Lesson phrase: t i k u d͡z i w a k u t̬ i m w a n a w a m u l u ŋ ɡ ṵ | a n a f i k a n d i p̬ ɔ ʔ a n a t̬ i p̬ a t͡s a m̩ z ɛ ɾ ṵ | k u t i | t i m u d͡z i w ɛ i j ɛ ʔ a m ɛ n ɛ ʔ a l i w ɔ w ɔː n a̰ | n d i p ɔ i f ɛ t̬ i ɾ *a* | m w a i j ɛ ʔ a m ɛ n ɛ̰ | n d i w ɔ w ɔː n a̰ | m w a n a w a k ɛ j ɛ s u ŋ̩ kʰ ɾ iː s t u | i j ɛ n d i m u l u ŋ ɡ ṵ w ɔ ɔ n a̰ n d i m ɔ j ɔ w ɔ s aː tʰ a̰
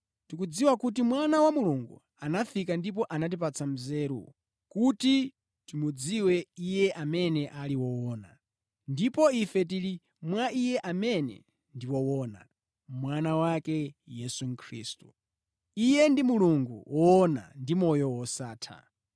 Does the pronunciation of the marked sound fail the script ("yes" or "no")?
yes